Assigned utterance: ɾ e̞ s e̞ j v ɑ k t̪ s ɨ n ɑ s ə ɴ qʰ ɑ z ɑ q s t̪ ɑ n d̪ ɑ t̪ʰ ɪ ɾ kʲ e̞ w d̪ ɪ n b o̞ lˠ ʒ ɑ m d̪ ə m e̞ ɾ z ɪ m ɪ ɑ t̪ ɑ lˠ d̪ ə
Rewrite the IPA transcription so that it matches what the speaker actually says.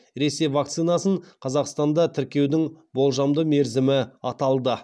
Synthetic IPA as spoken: ɾ e̞ s e̞ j v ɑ k t̪ s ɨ n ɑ s ə ɴ qʰ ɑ z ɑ q s t̪ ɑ n d̪ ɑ t̪ʰ ɪ ɾ kʲ e̞ w d̪ ɪ ŋ b o̞ lˠ ʒ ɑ m d̪ ə m e̞ ɾ z ɪ m ɪ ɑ t̪ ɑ lˠ d̪ ə